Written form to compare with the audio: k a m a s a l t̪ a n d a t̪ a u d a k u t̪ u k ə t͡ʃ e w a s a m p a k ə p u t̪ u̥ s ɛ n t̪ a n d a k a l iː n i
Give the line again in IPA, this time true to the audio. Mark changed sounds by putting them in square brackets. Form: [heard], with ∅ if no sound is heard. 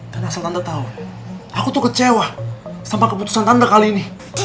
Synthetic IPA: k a [n] a s a l t̪ a n d a t̪ a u [∅] a k u t̪ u k ə t͡ʃ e w a s a m p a k ə p u t̪ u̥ s [a] n t̪ a n d a k a l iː n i